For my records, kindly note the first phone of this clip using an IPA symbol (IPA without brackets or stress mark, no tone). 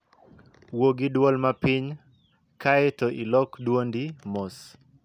w